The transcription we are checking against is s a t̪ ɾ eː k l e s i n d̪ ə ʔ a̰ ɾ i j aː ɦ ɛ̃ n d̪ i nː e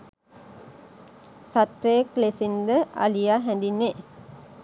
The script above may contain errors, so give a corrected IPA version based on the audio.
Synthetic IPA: s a t̪ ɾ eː k l e s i n d̪ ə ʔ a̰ l i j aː ɦ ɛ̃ n d̪ i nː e